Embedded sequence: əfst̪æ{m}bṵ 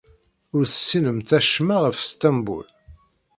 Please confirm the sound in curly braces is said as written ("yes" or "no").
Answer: yes